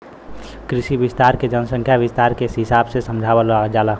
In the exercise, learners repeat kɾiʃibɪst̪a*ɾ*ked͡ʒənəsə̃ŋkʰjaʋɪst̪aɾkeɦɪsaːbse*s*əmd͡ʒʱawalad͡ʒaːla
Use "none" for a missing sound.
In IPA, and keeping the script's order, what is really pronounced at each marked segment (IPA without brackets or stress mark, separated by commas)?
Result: ɾ, s